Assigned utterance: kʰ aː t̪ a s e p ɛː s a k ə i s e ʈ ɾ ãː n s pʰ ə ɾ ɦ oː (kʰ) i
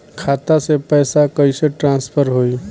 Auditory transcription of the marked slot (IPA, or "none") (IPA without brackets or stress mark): none